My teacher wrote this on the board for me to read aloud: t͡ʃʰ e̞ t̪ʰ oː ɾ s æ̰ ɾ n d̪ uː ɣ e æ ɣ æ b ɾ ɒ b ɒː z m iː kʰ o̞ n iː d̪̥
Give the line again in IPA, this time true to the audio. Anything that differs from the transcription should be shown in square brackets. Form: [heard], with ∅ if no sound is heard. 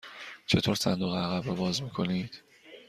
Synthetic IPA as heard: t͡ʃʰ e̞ t̪ʰ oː ɾ s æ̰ [∅] n d̪ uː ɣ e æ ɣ æ b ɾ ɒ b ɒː z m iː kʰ o̞ n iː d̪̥